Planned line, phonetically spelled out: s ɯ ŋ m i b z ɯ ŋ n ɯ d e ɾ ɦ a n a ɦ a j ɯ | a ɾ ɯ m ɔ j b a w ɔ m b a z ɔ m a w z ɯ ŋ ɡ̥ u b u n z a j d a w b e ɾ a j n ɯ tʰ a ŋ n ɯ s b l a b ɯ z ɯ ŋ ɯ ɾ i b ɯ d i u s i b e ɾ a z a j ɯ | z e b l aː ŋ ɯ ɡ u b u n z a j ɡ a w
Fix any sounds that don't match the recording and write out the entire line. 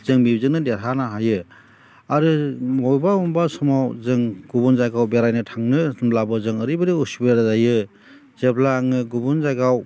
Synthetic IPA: z ɯ ŋ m i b z ɯ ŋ n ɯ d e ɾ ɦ a n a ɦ a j ɯ | a ɾ ɯ m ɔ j b a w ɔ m b a s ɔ m a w z ɯ ŋ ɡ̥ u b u n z a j ɡ a w b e ɾ a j n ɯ tʰ a ŋ n ɯ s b l a b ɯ z ɯ ŋ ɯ ɾ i b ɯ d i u s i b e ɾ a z a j ɯ | z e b l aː ŋ ɯ ɡ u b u n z a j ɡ a w